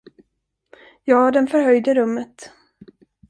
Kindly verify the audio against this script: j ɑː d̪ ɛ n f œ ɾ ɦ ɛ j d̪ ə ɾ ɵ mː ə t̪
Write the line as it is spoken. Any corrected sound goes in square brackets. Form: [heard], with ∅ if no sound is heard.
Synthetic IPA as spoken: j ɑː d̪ ɛ n f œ ɾ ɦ [œ] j d̪ ə ɾ ɵ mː ə t̪